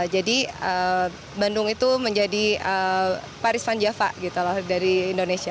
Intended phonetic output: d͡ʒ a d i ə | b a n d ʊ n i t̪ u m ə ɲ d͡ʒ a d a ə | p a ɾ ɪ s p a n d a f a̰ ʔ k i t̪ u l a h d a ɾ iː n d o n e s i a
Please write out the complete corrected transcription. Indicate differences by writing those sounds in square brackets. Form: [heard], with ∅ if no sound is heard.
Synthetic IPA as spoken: d͡ʒ a d i ə | b a n d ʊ [ŋ] i t̪ u m ə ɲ d͡ʒ a d [i] ə | p a ɾ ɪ s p a n [d͡ʒ] a f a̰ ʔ [ɡ] i t̪ u l a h d a ɾ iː n d o n e s i a